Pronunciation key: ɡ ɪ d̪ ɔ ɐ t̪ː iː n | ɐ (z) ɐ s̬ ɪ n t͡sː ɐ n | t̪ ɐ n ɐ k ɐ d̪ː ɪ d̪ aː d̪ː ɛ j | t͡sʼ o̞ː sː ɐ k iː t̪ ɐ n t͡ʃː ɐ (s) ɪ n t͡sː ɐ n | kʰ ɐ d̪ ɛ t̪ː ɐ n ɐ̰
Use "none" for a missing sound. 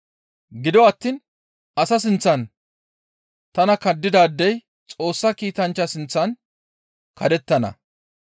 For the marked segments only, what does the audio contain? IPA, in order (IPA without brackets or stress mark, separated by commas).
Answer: s, s